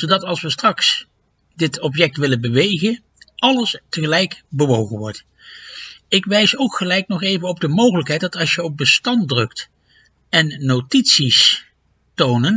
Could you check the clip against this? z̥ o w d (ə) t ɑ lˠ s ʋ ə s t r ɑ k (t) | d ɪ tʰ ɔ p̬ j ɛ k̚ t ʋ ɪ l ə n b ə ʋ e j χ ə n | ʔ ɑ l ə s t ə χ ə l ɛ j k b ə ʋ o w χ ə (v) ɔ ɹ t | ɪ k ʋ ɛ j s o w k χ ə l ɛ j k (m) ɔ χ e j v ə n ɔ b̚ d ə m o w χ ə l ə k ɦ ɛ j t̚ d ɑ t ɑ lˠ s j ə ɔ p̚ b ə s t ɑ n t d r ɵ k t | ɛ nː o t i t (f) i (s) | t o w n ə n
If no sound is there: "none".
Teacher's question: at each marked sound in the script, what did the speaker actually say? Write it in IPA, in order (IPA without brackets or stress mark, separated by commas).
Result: ɑ, s, ʋ, n, s, s